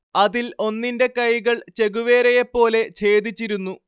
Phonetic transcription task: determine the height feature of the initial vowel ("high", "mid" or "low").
low